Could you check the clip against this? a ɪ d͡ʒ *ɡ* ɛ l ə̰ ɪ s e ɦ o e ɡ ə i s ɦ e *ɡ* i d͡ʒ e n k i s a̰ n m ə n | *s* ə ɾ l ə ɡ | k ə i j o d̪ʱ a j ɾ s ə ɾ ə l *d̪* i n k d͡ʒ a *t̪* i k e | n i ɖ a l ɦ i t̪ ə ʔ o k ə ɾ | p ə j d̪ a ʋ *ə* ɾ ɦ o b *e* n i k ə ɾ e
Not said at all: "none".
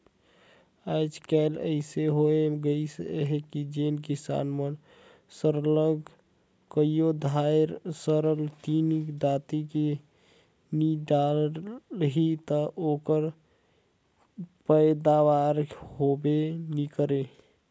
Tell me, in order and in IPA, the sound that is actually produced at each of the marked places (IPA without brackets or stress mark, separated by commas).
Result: k, k, s, t̪, t̪, a, e